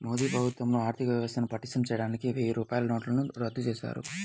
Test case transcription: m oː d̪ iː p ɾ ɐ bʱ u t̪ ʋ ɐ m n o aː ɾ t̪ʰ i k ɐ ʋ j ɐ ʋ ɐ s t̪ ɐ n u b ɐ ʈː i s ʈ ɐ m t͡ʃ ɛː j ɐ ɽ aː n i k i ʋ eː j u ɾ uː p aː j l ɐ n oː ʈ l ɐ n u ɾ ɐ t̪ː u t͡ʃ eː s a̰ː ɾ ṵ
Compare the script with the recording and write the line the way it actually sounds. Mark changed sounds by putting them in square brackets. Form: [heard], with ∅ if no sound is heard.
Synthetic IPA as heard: m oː d̪ iː p ɾ ɐ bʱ u t̪ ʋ ɐ m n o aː ɾ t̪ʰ i k ɐ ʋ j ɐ ʋ ɐ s t̪ ɐ n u [p] ɐ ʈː i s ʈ ɐ m t͡ʃ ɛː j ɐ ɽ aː n i k i ʋ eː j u ɾ uː p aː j l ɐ n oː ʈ l ɐ n u ɾ ɐ [d̪ː] u t͡ʃ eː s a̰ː ɾ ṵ